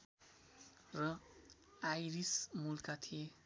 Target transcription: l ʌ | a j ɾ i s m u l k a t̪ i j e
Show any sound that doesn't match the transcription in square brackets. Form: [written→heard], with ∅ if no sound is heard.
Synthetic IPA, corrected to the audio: [l→r] ʌ | a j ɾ i s m u l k a [t̪→t̪ʰ] i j e

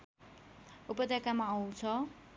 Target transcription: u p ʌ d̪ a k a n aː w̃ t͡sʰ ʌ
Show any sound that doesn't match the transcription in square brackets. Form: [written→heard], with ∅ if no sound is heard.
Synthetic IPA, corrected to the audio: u p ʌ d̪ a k a [n→m] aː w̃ t͡sʰ ʌ

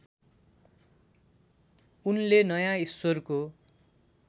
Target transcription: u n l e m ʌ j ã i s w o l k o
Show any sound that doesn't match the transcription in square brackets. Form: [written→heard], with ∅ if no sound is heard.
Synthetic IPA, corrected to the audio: u n l e [m→n] ʌ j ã i s w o [l→r] k o

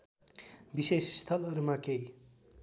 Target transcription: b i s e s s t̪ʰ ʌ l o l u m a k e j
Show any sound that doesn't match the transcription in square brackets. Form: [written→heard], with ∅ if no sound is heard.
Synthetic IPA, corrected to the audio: b i s e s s t̪ʰ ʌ l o [l→ɾ] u m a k e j

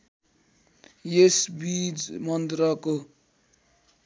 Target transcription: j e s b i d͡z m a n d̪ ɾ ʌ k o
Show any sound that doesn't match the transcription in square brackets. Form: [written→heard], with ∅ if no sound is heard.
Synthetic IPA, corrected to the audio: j e s b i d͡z m [a→ʌ] n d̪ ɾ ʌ k o

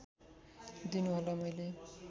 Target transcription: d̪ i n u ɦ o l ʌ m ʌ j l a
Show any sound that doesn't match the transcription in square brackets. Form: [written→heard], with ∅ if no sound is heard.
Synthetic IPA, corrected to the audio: d̪ i n u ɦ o l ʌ m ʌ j l [a→e]

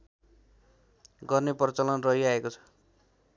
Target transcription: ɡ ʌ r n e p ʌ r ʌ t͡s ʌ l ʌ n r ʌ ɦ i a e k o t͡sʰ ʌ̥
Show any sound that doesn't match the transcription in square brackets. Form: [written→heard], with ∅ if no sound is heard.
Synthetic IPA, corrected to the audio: ɡ ʌ r n e p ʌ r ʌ t͡s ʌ l ʌ n r ʌ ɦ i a e k o t͡sʰ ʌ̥

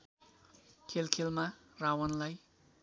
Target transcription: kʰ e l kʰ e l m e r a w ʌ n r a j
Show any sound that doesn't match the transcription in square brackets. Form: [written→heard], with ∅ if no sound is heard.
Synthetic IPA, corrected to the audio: kʰ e l kʰ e l m [e→a] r a w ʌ n [r→l] a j

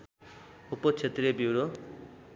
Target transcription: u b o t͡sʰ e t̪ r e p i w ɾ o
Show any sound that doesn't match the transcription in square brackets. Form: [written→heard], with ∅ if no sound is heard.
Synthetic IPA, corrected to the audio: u [b→p] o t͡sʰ e t̪ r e [p→b] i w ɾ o

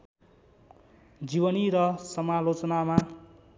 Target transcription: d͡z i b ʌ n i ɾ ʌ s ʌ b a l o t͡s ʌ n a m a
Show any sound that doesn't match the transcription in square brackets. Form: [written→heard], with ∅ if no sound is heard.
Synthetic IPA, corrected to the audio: d͡z i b ʌ n i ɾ ʌ s ʌ [b→m] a l o t͡s ʌ n a m a

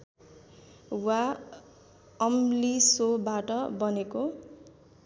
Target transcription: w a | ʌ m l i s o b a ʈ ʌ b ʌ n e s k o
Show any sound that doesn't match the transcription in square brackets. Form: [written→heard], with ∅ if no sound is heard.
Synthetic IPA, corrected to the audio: w a | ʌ m l i s o b a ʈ ʌ b ʌ n e [s→∅] k o

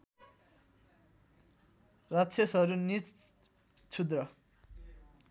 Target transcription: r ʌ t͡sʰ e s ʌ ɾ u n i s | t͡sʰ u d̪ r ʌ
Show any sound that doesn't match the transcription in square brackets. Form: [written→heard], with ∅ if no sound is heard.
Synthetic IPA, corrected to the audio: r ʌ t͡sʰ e s ʌ ɾ u n i [s→t͡s] | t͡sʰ u d̪ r ʌ

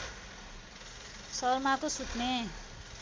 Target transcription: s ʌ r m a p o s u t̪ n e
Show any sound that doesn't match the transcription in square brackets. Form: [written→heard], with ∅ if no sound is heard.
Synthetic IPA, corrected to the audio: s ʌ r m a [p→k] o s u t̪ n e

